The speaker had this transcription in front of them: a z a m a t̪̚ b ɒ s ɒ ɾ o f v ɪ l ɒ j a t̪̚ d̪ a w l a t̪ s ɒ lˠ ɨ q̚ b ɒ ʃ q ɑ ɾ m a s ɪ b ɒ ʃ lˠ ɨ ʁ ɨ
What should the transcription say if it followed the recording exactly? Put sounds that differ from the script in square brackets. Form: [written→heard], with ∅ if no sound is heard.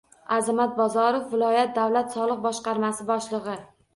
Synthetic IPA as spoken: a z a m a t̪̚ b ɒ [s→z] ɒ ɾ o f v ɪ l ɒ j a t̪̚ d̪ a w l a t̪ s ɒ lˠ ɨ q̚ b ɒ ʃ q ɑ ɾ m a s ɪ b ɒ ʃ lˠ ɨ ʁ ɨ